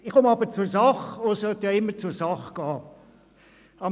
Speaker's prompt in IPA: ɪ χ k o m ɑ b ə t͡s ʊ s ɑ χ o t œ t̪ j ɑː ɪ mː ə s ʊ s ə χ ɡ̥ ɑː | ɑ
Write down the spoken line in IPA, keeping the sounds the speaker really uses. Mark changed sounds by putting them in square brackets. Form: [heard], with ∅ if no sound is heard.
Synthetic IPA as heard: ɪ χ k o m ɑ b ə t͡s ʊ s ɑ χ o [s] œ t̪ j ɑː ɪ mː ə [t͡s] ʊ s [ɑ] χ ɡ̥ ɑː | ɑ